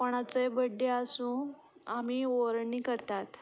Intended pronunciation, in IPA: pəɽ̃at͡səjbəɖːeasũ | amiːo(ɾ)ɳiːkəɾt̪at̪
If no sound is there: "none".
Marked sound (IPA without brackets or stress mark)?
ɾ